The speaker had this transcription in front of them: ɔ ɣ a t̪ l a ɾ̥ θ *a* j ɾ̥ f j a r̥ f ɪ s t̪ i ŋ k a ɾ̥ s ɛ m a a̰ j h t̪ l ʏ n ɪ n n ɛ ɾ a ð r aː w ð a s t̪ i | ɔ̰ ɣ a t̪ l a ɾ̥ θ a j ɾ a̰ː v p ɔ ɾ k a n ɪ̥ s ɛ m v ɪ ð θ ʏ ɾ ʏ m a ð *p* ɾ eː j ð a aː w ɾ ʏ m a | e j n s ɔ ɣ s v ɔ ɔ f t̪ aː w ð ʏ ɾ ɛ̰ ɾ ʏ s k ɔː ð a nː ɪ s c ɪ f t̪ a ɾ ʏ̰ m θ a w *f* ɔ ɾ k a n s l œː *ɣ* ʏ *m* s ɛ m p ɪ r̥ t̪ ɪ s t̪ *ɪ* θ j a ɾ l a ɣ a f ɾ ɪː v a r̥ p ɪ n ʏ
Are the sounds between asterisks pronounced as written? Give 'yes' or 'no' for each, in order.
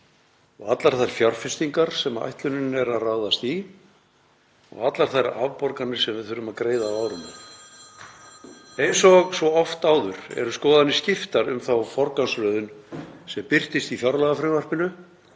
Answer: yes, no, yes, no, no, no

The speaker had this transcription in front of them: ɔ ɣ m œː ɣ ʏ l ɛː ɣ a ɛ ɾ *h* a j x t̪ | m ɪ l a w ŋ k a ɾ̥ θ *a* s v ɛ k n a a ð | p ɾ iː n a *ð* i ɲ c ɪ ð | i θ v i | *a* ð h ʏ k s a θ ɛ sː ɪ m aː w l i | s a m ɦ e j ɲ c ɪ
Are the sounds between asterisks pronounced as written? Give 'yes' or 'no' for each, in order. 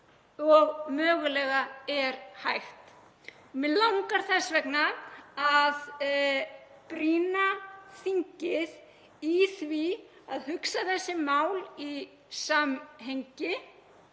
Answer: yes, no, no, yes

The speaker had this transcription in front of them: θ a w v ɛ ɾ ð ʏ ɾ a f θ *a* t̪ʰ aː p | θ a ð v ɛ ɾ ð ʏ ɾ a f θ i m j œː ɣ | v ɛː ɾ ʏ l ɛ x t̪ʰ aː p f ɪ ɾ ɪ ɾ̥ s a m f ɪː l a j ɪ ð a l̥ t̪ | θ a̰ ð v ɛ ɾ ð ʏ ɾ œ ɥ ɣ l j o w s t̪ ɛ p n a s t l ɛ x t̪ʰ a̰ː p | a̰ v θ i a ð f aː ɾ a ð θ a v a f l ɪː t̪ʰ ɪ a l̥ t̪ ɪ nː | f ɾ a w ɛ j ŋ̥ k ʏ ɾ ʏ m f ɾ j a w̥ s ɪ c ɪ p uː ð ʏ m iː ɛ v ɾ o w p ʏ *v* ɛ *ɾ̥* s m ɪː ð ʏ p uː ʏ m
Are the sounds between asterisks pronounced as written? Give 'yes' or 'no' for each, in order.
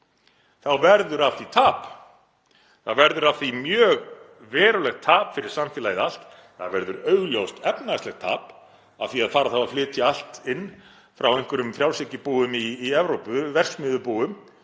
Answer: no, yes, no

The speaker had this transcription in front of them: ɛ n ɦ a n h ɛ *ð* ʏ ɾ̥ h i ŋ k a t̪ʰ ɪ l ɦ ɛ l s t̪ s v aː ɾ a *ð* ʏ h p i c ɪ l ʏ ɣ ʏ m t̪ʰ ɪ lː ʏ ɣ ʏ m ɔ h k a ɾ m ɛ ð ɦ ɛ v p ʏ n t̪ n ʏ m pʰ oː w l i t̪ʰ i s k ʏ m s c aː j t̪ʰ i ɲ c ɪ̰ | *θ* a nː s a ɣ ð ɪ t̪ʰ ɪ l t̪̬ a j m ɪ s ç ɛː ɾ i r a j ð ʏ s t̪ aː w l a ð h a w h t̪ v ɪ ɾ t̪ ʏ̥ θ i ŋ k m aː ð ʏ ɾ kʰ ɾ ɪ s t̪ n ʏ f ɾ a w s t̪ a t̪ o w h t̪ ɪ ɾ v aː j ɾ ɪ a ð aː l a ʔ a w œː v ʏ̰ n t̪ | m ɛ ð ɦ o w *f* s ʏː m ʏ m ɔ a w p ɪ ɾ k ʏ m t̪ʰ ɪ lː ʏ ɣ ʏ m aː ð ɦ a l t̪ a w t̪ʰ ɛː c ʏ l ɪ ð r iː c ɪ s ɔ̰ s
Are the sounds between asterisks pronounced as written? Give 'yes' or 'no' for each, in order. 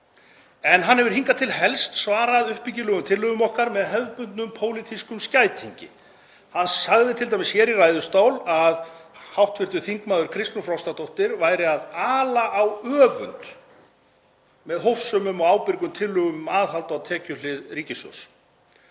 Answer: no, yes, no, yes

